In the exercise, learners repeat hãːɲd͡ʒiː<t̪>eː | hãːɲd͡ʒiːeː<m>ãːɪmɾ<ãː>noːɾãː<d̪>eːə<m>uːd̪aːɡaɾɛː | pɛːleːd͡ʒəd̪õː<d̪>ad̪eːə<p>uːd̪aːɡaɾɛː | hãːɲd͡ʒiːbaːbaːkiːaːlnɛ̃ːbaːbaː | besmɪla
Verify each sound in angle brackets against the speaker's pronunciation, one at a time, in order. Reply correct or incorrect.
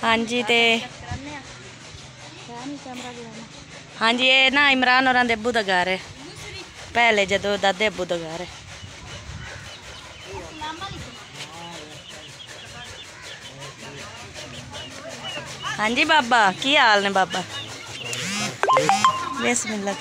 correct, incorrect, incorrect, correct, incorrect, correct, incorrect

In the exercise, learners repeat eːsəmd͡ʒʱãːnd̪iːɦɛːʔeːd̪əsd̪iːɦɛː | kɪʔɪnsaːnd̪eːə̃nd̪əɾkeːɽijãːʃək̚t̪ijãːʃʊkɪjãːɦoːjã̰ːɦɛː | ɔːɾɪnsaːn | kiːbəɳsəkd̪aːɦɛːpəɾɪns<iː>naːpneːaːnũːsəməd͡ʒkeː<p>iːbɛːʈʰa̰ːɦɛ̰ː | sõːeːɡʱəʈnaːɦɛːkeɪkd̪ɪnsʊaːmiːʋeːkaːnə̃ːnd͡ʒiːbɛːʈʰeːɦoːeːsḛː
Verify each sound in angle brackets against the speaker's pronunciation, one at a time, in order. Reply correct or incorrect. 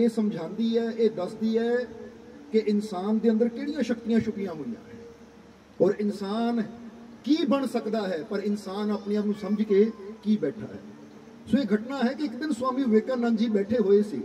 incorrect, incorrect

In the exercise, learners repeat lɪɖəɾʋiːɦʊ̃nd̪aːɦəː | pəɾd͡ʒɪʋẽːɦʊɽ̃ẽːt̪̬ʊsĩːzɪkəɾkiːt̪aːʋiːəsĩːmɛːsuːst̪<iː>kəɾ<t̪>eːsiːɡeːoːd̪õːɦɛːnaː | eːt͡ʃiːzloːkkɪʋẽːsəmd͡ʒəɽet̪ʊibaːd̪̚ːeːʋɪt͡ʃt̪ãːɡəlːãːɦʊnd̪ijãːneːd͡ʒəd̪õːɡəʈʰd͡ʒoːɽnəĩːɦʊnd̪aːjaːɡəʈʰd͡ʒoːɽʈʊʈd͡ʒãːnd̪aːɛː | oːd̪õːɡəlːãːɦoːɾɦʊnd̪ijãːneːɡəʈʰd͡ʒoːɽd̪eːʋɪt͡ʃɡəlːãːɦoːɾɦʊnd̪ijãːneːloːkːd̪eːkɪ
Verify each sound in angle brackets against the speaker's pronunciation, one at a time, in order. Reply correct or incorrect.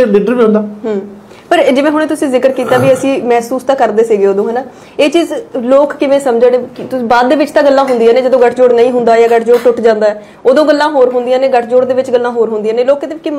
incorrect, incorrect

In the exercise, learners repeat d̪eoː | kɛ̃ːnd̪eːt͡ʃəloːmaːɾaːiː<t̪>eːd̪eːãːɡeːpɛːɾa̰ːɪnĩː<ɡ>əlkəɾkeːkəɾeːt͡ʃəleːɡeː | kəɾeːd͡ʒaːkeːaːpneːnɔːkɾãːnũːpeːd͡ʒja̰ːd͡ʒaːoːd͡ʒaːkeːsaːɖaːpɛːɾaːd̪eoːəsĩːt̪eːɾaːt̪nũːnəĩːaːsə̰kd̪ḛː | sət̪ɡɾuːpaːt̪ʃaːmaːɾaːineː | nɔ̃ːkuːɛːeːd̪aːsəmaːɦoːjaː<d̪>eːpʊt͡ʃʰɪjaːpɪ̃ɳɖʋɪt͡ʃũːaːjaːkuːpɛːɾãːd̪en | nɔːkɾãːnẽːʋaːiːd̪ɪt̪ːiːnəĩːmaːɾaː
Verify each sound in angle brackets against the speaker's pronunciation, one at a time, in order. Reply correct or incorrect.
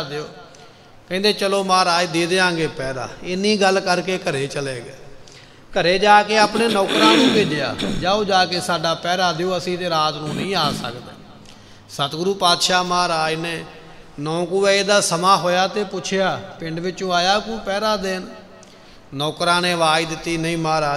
incorrect, correct, incorrect

